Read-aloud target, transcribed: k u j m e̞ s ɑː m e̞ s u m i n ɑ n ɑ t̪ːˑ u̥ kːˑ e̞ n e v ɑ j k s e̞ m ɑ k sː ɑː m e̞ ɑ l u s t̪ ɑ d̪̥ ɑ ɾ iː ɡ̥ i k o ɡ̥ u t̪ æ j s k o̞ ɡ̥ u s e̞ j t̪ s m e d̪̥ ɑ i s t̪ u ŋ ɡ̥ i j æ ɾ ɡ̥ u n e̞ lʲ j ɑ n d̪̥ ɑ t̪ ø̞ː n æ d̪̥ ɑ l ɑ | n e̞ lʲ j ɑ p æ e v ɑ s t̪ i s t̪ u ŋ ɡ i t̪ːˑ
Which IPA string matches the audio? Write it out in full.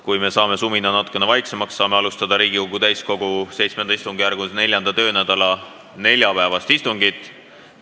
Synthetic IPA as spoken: k u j m e̞ s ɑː m e̞ s u m i n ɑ n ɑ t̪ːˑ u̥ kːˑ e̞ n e v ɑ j k s e̞ m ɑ k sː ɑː m e̞ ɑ l u s t̪ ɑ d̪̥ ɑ ɾ iː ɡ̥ i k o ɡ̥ u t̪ æ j s k o̞ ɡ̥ u s e̞ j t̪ s m e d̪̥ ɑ i s t̪ u ŋ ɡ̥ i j æ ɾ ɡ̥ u n e̞ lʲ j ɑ n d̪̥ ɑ t̪ ø̞ː n æ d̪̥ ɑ l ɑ | n e̞ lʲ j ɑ p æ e v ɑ s t̪ i s t̪ u ŋ ɡ i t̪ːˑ